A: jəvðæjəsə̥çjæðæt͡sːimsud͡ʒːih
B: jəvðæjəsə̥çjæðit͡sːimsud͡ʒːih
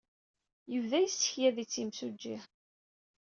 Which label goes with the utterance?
B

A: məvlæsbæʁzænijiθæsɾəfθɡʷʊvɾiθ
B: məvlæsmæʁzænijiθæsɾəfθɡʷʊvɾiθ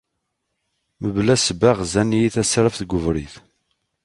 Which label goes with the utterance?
A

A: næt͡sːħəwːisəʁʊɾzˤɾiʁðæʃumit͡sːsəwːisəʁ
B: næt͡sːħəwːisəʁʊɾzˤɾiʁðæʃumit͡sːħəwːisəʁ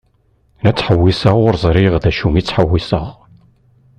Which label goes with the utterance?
B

